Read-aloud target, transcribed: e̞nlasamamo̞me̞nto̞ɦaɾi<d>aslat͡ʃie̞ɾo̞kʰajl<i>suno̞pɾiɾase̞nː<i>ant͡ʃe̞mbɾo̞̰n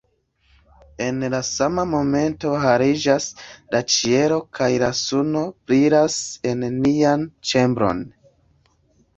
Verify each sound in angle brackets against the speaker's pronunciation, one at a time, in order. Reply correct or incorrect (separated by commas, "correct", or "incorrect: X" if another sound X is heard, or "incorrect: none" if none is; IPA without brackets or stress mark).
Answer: incorrect: d͡ʒ, incorrect: a, correct